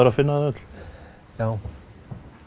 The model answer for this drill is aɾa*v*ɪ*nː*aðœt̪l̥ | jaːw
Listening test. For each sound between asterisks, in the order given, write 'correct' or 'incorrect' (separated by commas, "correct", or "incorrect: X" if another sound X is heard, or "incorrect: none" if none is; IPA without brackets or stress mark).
incorrect: f, correct